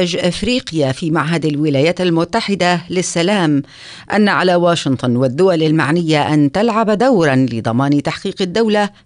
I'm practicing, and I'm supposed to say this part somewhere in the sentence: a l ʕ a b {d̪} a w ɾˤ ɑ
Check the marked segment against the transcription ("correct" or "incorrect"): correct